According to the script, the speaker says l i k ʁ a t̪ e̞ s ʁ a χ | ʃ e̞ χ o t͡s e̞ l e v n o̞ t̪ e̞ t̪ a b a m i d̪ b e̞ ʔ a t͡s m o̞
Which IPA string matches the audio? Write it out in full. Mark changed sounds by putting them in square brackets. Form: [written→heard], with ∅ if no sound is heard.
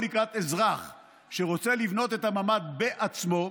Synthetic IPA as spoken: l i k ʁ a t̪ e̞ [s→z] ʁ a χ | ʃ e̞ [χ→ʁ] o t͡s e̞ l [e→i] v n o̞ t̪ e̞ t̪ a [b→m] a m [i→a] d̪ b e̞ ʔ a t͡s m o̞